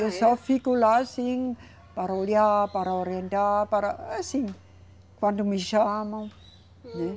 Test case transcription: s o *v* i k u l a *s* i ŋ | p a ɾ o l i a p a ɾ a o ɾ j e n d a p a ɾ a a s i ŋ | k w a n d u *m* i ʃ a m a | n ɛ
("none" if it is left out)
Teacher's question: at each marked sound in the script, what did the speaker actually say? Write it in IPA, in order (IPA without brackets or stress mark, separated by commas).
f, s, m